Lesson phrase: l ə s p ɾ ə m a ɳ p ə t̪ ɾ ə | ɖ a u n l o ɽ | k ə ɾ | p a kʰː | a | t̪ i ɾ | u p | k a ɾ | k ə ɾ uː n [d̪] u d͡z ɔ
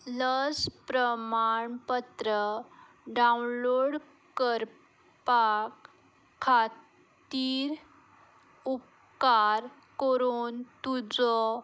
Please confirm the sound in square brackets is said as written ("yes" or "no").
no